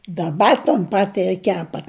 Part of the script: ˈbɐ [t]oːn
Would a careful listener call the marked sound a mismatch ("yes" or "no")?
no